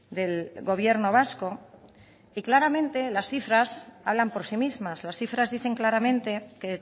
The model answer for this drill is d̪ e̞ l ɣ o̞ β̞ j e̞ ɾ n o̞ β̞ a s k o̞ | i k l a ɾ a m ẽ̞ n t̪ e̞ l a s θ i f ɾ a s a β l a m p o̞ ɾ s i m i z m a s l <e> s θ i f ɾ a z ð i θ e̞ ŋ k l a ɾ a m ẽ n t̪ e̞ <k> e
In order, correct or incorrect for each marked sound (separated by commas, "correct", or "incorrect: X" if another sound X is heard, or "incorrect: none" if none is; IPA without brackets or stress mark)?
incorrect: a, correct